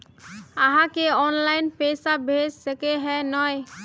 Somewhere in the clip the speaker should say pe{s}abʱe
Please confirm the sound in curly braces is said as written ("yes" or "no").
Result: yes